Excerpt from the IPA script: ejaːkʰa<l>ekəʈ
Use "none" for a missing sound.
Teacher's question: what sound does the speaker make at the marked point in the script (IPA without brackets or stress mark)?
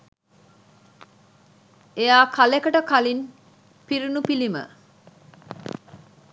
l